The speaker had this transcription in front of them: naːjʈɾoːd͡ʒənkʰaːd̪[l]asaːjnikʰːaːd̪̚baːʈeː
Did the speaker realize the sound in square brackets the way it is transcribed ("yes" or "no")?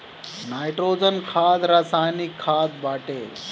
no